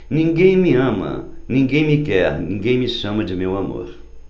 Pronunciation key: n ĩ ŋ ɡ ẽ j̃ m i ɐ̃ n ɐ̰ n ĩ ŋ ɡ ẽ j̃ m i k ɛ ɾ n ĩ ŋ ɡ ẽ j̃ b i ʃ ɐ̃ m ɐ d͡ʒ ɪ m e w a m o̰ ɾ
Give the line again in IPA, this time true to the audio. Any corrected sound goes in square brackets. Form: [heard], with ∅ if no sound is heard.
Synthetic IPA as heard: n ĩ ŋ ɡ ẽ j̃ m i ɐ̃ [m] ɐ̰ n ĩ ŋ ɡ ẽ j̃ m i k ɛ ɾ n ĩ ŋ ɡ ẽ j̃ [m] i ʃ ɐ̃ m ɐ d͡ʒ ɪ m e w a m o̰ ɾ